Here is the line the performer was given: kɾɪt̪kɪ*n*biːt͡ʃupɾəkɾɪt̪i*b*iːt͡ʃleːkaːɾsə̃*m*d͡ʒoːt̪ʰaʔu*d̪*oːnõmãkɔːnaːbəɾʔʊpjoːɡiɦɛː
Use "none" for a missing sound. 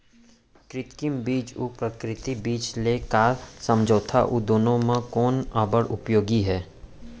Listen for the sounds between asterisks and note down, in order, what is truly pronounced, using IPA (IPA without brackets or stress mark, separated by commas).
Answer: m, b, m, d̪